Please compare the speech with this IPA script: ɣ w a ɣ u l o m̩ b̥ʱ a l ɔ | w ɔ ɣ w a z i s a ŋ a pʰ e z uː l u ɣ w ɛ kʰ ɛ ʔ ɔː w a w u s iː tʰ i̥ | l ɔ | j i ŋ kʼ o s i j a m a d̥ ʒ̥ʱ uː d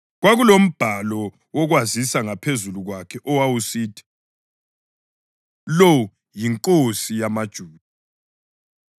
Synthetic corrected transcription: ɣ w a ɣ u l o m̩ b̥ʱ a l ɔ | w ɔ ɣ w a z i s a ŋ a pʰ e z u l u ɣ w a kʰ ɛ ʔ ɔ w a w u s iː tʰ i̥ | l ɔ | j i ŋ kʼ o s i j a m a d̥ ʒ̥ʱ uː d